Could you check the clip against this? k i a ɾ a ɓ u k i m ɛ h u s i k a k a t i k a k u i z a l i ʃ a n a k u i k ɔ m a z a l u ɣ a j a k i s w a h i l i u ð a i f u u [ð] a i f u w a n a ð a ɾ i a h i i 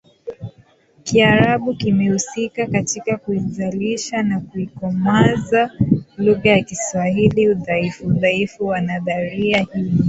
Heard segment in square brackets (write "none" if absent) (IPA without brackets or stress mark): ð